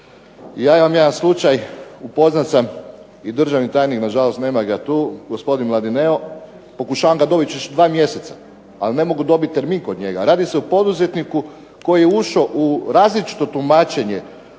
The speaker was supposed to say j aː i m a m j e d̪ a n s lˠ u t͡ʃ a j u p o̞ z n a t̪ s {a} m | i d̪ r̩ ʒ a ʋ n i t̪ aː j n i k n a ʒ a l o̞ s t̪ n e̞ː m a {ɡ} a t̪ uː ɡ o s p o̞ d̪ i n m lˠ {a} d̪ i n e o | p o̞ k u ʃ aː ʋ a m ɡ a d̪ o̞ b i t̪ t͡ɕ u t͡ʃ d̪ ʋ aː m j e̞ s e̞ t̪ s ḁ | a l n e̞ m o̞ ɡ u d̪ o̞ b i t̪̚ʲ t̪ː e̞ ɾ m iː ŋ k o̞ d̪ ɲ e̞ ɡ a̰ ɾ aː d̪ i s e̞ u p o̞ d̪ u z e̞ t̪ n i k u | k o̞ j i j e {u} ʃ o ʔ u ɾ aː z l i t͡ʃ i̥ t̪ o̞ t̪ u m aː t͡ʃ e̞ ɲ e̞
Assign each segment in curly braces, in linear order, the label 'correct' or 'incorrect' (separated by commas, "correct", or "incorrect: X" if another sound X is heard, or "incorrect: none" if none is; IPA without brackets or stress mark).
correct, correct, correct, correct